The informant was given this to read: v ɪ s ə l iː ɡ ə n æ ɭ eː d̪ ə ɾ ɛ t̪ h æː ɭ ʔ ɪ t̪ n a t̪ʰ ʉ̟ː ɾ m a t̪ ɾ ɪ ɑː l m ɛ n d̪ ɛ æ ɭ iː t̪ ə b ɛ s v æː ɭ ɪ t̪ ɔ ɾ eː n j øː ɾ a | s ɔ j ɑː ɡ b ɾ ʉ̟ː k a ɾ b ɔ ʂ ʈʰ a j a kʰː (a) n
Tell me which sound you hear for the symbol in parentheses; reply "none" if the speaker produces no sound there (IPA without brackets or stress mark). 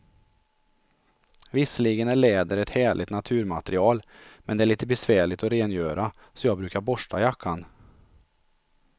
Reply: a